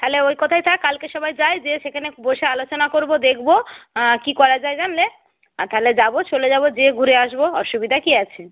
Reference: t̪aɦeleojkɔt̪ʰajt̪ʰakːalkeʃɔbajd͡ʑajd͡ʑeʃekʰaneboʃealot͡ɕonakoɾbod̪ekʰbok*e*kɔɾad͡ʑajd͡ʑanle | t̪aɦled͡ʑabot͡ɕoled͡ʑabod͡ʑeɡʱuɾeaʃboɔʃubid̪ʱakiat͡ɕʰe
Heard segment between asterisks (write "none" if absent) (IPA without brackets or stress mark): i